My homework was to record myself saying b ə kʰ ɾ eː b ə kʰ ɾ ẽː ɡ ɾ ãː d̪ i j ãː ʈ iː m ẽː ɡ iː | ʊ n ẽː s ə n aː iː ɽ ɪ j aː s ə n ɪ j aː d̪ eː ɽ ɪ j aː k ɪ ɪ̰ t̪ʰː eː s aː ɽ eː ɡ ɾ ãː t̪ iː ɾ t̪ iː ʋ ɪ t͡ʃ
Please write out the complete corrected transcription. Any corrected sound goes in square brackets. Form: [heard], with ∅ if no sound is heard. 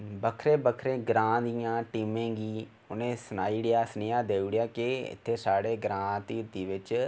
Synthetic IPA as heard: b ə kʰ ɾ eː b ə kʰ ɾ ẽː ɡ ɾ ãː d̪ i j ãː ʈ iː m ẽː ɡ iː | ʊ n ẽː s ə n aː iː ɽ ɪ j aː s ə n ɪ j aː d̪ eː ɽ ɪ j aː k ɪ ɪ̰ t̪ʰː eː s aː ɽ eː ɡ ɾ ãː t̪ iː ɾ t̪ iː ʋ ɪ t͡ʃ